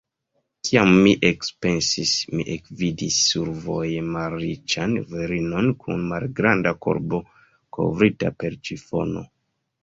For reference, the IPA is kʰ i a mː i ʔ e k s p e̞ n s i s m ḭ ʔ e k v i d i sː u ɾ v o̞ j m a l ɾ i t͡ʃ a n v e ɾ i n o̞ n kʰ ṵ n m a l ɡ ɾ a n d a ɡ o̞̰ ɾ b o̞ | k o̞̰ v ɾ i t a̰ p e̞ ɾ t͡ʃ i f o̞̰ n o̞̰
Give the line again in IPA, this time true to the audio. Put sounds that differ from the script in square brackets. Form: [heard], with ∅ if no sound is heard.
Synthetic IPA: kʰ i a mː i ʔ e k s p e̞ n s i s m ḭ ʔ e k v i d i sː u ɾ v o̞ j m a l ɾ i t͡ʃ a n v e ɾ i n o̞ n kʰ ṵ n m a l ɡ ɾ a n d a [k] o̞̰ ɾ b o̞ | k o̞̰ v ɾ i t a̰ p e̞ ɾ t͡ʃ i f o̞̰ n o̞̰